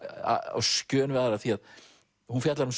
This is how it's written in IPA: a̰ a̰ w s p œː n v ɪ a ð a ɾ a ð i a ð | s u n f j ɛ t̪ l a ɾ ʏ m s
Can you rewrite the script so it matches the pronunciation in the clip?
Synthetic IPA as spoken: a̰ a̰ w s c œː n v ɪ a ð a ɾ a θ i a ð | h u n f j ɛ t̪ l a ɾ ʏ m s